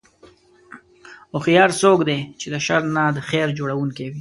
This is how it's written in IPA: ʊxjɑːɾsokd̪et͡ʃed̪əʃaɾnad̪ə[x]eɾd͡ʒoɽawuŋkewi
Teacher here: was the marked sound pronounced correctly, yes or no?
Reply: yes